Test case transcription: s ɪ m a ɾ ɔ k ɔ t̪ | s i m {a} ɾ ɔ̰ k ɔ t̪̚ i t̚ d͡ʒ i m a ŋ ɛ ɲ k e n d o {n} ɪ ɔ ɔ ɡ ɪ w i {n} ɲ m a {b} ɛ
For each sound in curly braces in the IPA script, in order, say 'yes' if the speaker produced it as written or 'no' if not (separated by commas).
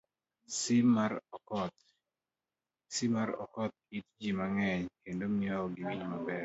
yes, no, no, yes